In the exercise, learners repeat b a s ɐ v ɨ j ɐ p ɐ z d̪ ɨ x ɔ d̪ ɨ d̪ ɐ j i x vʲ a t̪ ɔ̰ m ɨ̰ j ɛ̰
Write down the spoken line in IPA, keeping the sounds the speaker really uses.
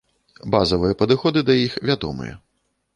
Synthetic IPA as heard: b a z ɐ v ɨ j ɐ p ɐ d̪ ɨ x ɔ d̪ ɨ d̪ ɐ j i x vʲ a d̪ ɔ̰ m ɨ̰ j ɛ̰